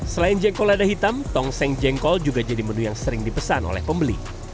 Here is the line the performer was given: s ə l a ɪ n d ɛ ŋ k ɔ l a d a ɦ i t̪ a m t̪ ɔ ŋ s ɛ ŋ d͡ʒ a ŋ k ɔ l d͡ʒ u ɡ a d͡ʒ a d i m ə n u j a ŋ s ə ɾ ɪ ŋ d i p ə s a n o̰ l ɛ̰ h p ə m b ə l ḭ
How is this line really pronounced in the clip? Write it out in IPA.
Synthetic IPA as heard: s ə l a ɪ n d͡ʒ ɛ ŋ k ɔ l a d a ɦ i t̪ a m t̪ ɔ ŋ s ɛ ŋ d͡ʒ ɛ ŋ k ɔ l d͡ʒ u ɡ a d͡ʒ a d i m ə n u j a ŋ s ə ɾ ɪ ŋ d i p ə s a n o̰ l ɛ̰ h p ə m b ə l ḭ